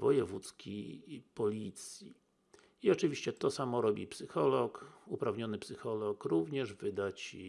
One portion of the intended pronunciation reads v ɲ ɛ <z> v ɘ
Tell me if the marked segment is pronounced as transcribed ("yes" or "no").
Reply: no